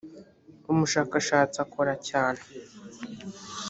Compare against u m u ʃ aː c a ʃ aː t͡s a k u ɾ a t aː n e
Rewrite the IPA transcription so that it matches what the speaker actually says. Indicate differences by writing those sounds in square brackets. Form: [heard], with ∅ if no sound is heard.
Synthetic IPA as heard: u m u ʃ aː [k] a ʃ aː t͡s a k [o] ɾ a [c] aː n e